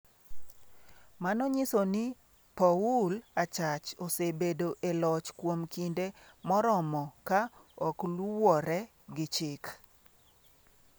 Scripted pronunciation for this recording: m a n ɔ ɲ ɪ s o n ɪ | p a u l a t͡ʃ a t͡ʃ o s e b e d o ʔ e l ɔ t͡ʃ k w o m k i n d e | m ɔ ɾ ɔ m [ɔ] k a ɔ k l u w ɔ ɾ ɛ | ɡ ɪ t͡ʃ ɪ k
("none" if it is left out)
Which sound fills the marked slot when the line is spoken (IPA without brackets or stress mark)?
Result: ɔ